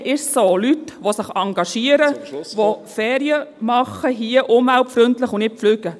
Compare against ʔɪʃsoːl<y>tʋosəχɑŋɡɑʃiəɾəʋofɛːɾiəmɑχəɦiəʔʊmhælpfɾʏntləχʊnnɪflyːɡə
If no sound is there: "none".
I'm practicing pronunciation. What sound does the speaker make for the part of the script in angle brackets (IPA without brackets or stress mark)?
y